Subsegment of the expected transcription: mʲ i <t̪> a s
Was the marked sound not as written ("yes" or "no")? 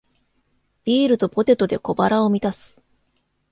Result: no